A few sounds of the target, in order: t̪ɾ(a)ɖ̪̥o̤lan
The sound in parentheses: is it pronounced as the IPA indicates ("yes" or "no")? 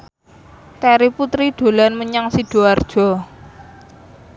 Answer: no